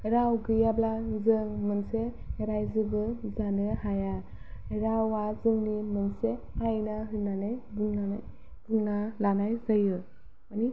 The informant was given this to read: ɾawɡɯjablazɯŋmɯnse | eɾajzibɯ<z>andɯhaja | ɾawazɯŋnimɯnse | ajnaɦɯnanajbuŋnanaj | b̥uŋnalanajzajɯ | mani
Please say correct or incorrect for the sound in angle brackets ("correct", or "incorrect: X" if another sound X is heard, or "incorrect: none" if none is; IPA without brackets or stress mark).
correct